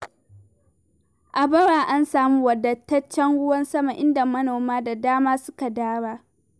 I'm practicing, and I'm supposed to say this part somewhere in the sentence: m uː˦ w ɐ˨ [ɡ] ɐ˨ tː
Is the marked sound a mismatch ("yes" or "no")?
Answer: yes